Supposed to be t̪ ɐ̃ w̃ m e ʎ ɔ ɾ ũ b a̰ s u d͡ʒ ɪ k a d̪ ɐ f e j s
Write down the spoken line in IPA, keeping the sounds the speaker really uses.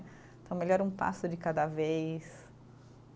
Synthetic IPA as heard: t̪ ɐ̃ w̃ m e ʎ ɔ ɾ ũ p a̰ s ʊ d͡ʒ ɪ k a d̪ ɐ v e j s